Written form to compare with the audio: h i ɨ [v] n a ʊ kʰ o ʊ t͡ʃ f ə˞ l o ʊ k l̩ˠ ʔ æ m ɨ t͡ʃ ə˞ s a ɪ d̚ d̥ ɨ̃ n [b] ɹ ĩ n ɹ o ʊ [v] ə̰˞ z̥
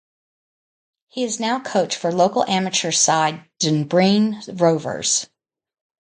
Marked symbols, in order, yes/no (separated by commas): no, yes, yes